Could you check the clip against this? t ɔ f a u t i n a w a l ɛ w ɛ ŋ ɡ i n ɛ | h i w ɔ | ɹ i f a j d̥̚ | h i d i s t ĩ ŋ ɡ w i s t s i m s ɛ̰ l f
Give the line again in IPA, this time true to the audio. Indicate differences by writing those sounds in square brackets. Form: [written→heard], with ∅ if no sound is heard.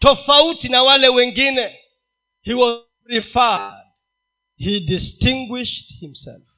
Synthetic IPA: t ɔ f a u t i n a w a l ɛ w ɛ ŋ ɡ i n ɛ | h i w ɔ | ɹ i f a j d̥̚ | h i d i s t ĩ ŋ ɡ w i [s→ʃ] t [s→h] i m s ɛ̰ l f